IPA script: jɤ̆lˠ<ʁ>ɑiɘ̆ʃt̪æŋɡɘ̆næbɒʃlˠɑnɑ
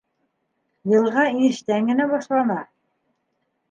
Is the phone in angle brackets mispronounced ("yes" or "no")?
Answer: no